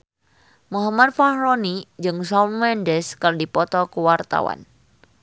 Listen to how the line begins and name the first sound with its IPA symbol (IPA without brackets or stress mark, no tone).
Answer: m